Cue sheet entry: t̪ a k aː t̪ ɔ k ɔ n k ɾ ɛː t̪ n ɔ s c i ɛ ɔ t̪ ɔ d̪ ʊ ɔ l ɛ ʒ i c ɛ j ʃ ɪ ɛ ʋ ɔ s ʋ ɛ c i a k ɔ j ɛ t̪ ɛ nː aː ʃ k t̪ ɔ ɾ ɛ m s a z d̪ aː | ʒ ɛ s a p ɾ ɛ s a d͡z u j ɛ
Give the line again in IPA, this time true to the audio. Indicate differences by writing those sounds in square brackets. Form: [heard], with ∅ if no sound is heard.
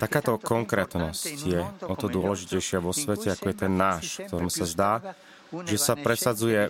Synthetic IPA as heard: t̪ a k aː t̪ ɔ k ɔ [ŋ] k ɾ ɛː t̪ n ɔ s c [j] ɛ ɔ t̪ ɔ d̪ ʊ ɔ l ɛ ʒ i c ɛ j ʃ ɪ [a] ʋ ɔ s ʋ ɛ c [ɛ] a k ɔ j ɛ t̪ ɛ nː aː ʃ k t̪ ɔ ɾ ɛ m s a z d̪ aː | ʒ ɛ s a p ɾ ɛ s a d͡z u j ɛ